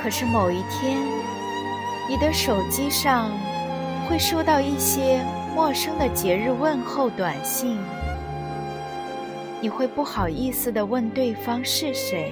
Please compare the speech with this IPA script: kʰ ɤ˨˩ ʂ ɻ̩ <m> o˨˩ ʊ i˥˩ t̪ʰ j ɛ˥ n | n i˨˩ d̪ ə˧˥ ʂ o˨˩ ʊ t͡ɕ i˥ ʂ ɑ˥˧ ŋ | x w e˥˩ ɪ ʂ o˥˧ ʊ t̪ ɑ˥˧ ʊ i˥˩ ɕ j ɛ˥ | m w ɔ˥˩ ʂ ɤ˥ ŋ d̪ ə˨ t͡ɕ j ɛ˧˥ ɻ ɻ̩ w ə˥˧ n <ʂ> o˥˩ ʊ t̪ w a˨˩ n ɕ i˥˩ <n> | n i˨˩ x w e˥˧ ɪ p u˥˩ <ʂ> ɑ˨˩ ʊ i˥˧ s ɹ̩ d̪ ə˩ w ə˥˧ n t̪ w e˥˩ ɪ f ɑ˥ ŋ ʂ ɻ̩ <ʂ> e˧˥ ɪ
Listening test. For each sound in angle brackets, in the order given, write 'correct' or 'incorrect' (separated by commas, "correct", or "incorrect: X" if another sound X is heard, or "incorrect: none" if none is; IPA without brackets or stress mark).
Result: correct, incorrect: x, incorrect: ŋ, incorrect: x, correct